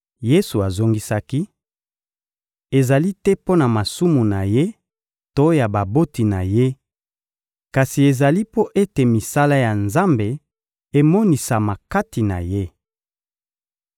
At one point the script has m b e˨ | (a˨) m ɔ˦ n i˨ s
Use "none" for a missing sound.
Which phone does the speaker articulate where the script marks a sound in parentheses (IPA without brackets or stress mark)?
e˨